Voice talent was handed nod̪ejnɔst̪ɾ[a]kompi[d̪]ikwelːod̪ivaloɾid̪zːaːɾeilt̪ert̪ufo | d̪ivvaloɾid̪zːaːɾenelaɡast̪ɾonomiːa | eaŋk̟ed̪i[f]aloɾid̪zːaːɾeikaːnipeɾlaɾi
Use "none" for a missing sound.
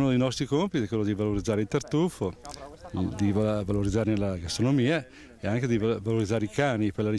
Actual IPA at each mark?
i, t̪, v

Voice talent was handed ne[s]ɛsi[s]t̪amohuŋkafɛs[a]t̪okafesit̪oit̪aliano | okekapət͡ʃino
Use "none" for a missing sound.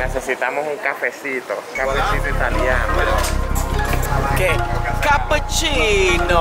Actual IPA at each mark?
s, none, i

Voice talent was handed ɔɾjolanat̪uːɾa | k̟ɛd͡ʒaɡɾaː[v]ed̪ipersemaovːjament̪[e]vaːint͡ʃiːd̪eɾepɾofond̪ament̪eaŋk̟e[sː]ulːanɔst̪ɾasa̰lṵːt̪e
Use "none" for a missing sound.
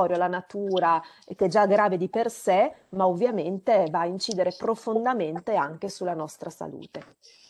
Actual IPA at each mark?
v, e, s

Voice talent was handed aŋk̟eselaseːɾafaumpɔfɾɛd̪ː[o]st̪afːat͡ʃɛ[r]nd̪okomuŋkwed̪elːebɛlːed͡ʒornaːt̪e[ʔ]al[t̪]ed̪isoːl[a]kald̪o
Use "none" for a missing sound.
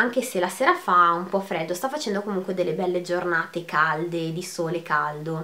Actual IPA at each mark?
o, none, k, d̪, e

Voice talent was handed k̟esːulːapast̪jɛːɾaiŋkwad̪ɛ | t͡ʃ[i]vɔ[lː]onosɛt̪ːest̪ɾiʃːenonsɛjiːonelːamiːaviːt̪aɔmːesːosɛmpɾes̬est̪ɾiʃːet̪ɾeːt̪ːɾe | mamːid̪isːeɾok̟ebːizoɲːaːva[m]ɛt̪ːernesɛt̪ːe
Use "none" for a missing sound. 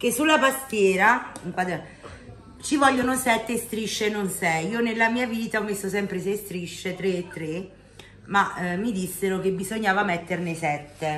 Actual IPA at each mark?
i, ʎː, m

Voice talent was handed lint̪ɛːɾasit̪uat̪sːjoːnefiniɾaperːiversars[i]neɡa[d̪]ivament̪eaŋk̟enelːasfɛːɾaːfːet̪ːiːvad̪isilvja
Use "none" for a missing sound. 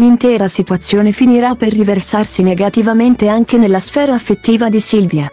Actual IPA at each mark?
i, t̪

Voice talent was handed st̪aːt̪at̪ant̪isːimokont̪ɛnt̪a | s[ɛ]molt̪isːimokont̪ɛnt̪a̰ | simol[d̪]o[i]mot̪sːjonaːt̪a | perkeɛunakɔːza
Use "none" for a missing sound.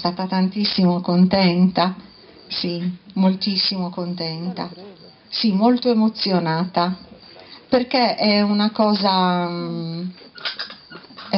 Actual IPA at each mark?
i, t̪, e

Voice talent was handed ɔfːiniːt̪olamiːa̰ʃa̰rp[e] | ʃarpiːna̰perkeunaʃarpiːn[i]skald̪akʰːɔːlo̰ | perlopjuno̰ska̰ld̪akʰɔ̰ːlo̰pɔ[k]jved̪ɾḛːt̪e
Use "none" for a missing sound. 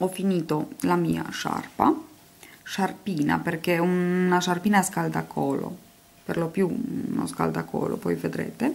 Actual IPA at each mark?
a, a, none

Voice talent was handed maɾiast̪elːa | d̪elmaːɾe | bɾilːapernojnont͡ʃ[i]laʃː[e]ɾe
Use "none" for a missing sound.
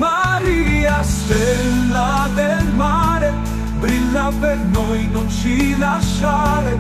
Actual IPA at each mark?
i, a

